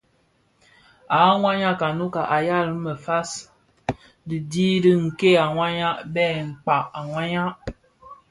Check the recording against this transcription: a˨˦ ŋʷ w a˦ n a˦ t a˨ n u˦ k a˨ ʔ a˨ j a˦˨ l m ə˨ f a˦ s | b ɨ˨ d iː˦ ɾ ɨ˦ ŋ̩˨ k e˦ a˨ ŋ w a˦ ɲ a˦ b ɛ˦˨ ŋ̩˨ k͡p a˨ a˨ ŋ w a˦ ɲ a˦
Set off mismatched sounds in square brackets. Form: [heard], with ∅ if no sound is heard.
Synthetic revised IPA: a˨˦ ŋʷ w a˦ [ɲ] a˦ [k] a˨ n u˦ k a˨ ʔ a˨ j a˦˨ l m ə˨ f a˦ s | [d] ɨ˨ d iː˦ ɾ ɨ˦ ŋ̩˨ k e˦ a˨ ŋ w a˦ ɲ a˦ b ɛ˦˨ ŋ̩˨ k͡p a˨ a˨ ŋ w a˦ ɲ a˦